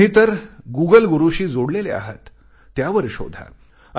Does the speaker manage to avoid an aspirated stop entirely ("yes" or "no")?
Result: yes